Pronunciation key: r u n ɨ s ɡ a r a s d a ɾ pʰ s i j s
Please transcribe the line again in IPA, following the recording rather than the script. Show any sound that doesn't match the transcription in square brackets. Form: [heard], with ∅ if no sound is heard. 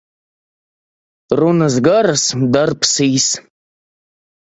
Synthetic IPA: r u n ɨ [z] ɡ a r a s d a [r] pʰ s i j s